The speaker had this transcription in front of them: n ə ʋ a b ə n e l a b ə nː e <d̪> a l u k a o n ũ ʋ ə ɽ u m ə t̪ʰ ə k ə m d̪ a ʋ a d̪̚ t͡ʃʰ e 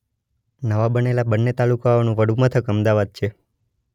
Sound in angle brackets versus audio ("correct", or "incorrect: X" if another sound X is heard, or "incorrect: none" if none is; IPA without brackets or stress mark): incorrect: t̪